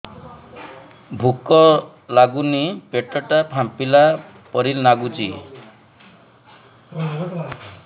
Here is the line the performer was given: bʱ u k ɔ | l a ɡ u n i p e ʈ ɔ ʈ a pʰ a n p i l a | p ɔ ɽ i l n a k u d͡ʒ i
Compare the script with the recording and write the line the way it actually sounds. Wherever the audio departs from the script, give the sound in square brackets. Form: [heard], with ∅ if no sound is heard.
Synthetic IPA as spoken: bʱ u k ɔ | l a ɡ u n i p e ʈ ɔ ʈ a pʰ a [m] p i l a | p ɔ [ɾ] i l n a [ɡ] u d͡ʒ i